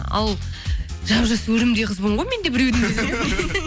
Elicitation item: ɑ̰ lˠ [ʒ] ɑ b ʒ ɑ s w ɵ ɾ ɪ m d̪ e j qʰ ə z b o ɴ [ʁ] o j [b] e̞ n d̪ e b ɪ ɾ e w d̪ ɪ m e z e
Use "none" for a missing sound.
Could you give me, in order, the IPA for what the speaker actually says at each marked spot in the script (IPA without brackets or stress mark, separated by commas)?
ʒ, ʁ, m